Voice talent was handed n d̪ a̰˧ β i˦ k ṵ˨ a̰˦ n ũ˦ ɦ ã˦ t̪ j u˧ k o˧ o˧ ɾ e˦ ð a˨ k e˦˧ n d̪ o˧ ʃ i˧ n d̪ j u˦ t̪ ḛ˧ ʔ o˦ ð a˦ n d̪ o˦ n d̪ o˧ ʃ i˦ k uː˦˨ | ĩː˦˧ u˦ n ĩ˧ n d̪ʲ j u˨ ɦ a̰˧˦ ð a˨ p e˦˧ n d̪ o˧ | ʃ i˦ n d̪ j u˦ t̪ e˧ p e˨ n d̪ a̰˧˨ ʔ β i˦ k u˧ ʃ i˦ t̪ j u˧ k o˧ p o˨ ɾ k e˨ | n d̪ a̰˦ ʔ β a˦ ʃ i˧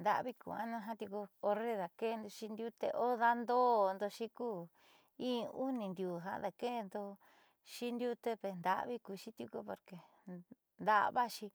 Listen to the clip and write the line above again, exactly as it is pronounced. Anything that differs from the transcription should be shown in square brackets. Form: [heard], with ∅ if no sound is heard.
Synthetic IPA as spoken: n d̪ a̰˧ β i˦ k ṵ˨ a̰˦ n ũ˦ ɦ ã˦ t̪ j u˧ k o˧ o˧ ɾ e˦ ð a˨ k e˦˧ n d̪ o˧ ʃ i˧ n d̪ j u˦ t̪ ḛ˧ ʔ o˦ ð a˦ n d̪ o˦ n d̪ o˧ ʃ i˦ k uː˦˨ | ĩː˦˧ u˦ n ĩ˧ n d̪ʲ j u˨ ɦ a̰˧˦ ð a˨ [k] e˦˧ n d̪ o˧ | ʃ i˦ n d̪ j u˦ t̪ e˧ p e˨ n d̪ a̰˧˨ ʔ β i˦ k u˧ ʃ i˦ t̪ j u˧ k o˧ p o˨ ɾ k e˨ | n d̪ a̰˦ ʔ β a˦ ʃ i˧